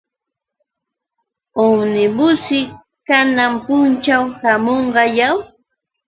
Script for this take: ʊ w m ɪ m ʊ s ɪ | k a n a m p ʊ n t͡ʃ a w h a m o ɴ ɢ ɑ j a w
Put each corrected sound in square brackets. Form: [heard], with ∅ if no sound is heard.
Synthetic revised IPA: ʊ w [n] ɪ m ʊ s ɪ | k a n a m p ʊ n t͡ʃ a w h a m o ɴ ɢ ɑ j a w

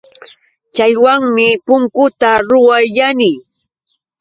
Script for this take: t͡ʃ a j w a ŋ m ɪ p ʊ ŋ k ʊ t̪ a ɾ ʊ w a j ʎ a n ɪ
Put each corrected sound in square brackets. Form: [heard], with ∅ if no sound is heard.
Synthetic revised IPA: t͡ʃ a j w a ŋ m ɪ p ʊ ŋ k ʊ t̪ a ɾ ʊ w a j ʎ a n ɪ

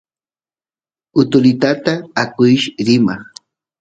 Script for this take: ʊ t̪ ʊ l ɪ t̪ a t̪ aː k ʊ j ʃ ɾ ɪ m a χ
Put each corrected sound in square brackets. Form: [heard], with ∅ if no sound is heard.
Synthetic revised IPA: ʊ t̪ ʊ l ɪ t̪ a t̪ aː k ʊ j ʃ ɾ ɪ m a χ

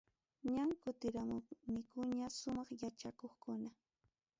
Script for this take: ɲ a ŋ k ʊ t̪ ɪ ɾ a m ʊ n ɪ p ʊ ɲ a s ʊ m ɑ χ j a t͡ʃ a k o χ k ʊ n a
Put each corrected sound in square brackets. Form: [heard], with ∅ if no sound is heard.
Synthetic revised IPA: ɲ a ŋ k ʊ t̪ ɪ ɾ a m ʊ n ɪ [k] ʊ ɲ a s ʊ m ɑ χ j a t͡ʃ a k o χ k ʊ n a

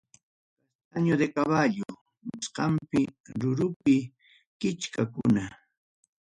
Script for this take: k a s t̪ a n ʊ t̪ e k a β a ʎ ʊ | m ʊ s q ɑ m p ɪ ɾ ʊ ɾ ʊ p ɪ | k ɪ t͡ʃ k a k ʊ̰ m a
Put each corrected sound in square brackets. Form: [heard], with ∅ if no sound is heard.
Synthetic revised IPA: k a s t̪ a [ɲ] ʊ [d̪] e k a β a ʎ ʊ | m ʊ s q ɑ m p ɪ ɾ ʊ ɾ ʊ p ɪ | k ɪ t͡ʃ k a k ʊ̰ [n] a

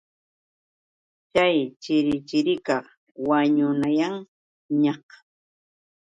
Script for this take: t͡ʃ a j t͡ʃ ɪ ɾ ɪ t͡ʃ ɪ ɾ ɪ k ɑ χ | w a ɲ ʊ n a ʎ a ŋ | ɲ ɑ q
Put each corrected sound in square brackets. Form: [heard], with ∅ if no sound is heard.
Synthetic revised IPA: t͡ʃ a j t͡ʃ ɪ ɾ ɪ t͡ʃ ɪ ɾ ɪ k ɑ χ | w a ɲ ʊ n a [j] a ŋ | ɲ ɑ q

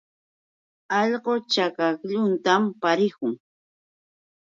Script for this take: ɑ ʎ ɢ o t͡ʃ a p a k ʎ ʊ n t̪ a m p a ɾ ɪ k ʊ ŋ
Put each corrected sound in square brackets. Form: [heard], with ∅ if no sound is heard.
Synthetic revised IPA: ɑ ʎ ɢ o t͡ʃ a [k] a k ʎ ʊ n t̪ a m p a ɾ ɪ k ʊ ŋ

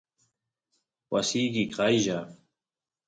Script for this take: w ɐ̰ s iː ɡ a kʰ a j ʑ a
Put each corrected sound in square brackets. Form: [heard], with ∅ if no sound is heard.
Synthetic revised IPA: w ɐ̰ s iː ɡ [i] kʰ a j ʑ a

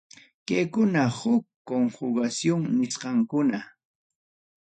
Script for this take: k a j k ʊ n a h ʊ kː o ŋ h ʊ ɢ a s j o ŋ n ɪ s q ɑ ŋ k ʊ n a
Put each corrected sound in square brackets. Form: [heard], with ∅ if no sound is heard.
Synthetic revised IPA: k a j k ʊ n a h ʊ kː o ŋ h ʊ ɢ a s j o ŋ n ɪ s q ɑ ŋ k ʊ n a

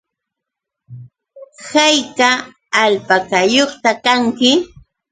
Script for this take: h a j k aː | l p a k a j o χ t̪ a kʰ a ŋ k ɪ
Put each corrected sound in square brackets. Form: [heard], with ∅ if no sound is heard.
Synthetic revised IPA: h a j k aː | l p a k a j o χ t̪ a [k] a ŋ k ɪ

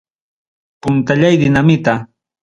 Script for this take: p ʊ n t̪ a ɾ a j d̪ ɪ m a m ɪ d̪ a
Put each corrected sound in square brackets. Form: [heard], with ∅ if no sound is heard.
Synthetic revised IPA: p ʊ n t̪ a [ʎ] a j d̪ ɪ [n] a m ɪ [t̪] a

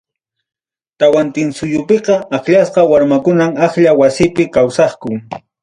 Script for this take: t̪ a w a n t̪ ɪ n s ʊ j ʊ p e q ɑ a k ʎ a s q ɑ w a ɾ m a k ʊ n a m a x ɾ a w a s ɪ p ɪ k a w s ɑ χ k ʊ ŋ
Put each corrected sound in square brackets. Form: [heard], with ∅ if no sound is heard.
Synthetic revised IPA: t̪ a w a n t̪ ɪ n s ʊ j ʊ p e q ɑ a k ʎ a s q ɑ w a ɾ m a k ʊ n a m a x [ʎ] a w a s ɪ p ɪ k a w s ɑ χ k ʊ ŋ

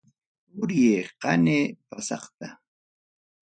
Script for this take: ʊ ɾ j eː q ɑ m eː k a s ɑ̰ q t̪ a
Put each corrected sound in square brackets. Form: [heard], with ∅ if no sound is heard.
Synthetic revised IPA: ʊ ɾ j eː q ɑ [n] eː [p] a s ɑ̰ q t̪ a

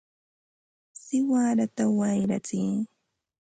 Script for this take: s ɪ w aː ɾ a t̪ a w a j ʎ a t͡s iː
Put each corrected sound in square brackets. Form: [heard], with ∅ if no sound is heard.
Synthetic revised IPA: s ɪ w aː ɾ a t̪ a w a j [ɾ] a t͡s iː

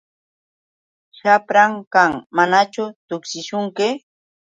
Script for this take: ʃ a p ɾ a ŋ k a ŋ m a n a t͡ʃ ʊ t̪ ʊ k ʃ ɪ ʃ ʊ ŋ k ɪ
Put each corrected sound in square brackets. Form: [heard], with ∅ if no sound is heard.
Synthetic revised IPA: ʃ a p ɾ a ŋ k a ŋ m a n a t͡ʃ ʊ t̪ ʊ k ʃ ɪ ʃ ʊ ŋ k ɪ

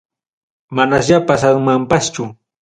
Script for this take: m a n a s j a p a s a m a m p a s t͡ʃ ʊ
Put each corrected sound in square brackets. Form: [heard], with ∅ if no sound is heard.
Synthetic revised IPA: m a n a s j a p a s a m a m p a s t͡ʃ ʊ

